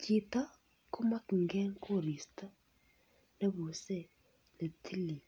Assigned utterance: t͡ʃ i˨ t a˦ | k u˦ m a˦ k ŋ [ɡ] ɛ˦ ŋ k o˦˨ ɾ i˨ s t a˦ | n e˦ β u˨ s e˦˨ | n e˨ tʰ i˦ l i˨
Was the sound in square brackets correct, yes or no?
yes